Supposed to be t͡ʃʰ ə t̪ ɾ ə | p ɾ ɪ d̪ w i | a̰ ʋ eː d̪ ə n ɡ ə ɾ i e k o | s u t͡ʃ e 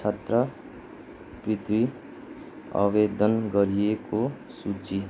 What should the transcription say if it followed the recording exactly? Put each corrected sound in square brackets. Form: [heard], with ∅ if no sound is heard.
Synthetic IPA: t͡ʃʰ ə t̪ ɾ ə | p ɾ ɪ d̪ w i | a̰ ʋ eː d̪ ə n ɡ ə ɾ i e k o | s u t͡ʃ [i]

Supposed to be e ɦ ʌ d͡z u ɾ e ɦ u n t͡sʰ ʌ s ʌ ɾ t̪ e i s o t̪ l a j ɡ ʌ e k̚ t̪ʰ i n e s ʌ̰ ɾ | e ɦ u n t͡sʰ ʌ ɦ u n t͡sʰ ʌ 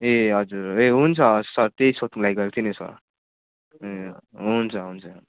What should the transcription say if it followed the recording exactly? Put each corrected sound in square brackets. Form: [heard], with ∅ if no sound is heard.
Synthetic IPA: e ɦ ʌ d͡z u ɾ e ɦ u n t͡sʰ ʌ s ʌ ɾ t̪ e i s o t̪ l a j ɡ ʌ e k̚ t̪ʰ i n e s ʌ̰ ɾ | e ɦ u n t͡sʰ ʌ ɦ u n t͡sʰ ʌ

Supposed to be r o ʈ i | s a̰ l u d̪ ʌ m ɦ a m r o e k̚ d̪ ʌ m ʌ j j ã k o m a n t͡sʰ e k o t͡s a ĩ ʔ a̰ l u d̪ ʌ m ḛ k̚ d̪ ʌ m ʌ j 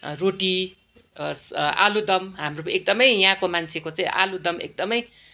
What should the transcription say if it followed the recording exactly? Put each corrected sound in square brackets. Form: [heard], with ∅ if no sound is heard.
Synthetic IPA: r o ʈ i | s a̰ l u d̪ ʌ m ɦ a m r o e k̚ d̪ ʌ m ʌ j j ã k o m a n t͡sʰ e k o t͡s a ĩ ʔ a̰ l u d̪ ʌ m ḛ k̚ d̪ ʌ m ʌ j

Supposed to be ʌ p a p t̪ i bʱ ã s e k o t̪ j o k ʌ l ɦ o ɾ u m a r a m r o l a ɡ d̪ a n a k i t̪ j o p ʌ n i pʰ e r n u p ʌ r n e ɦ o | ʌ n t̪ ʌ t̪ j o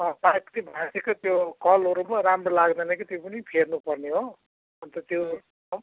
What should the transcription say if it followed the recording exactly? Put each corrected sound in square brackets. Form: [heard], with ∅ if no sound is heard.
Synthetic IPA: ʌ p a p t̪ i bʱ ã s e k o t̪ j o k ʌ l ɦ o ɾ u m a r a m r o l a ɡ d̪ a n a k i t̪ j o p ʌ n i pʰ e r n u p ʌ r n e ɦ o | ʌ n t̪ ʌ t̪ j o

